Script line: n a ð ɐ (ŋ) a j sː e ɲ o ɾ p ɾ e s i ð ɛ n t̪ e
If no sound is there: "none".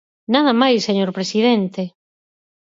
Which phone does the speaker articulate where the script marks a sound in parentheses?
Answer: m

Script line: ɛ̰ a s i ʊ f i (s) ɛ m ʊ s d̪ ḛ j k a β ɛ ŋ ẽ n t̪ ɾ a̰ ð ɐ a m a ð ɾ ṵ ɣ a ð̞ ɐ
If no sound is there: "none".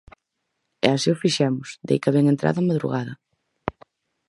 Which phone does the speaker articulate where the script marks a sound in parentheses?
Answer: ʃ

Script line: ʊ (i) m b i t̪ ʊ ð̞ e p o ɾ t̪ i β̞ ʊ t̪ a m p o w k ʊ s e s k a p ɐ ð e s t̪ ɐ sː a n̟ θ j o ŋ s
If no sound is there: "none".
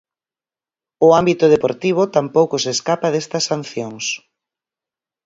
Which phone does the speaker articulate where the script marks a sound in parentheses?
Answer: a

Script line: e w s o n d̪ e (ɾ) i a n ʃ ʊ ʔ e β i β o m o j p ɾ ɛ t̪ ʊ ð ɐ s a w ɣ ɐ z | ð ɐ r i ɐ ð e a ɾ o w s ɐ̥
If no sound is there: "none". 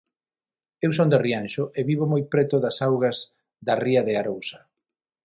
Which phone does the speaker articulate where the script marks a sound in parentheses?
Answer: r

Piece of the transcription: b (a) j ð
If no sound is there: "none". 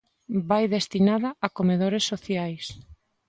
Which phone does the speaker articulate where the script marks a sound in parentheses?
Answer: a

